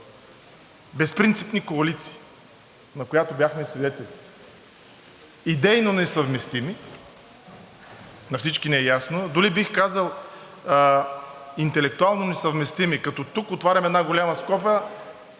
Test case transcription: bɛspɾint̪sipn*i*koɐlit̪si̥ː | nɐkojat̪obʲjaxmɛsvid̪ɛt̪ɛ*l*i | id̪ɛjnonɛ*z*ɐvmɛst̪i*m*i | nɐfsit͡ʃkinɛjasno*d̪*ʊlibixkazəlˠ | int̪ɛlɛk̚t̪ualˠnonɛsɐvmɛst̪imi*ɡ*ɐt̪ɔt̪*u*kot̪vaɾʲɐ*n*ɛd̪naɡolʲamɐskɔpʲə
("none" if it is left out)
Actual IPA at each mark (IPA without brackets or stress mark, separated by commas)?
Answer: i, l, s, m, d̪, k, u, m